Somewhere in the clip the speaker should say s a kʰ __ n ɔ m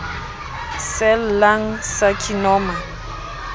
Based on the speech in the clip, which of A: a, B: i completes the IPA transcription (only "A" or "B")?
B